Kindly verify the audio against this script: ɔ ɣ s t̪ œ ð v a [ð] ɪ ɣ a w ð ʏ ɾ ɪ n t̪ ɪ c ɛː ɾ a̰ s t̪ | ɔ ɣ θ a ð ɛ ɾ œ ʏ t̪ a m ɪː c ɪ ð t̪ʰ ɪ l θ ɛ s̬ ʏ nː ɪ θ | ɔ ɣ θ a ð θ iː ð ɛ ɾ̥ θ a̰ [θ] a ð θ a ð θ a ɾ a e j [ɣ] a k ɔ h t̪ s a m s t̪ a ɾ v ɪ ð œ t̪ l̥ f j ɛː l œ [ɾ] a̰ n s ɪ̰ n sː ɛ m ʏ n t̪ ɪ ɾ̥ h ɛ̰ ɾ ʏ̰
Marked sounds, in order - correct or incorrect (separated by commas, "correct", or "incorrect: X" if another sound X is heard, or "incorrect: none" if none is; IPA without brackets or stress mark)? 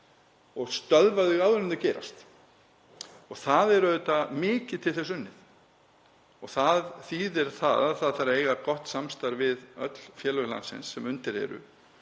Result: correct, incorrect: ð, correct, incorrect: l